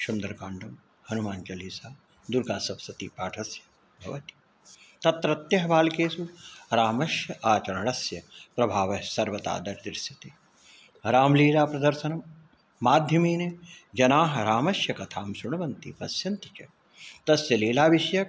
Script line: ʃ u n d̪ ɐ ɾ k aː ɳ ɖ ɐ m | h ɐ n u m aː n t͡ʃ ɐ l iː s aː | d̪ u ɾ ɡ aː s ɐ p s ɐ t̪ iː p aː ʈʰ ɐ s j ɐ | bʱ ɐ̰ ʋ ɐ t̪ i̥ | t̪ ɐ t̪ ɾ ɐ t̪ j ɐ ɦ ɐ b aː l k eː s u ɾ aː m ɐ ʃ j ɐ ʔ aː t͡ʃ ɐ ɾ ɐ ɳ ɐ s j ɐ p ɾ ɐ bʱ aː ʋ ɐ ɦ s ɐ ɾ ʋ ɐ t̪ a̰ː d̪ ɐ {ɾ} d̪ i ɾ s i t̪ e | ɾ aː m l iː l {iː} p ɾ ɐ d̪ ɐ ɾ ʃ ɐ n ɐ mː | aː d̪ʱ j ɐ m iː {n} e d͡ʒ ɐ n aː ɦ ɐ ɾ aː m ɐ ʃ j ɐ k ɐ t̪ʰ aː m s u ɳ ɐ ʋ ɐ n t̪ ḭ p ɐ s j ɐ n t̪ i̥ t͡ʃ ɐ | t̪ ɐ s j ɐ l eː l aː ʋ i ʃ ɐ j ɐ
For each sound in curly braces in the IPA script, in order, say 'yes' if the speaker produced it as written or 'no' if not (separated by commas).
yes, no, yes